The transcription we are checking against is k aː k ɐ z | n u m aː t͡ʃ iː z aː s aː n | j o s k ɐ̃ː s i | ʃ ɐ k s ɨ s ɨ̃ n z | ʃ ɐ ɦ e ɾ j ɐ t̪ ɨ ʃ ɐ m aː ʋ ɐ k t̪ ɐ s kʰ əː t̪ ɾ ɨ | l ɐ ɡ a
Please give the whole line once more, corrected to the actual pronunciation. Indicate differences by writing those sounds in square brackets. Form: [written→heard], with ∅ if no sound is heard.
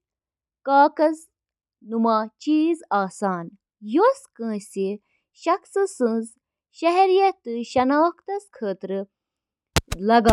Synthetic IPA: k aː k ɐ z | n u m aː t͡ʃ iː z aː s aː n | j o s k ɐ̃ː s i | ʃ ɐ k s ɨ s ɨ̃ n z | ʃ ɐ ɦ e ɾ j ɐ t̪ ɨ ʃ ɐ [m→n] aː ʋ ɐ k t̪ ɐ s kʰ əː t̪ ɾ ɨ | l ɐ ɡ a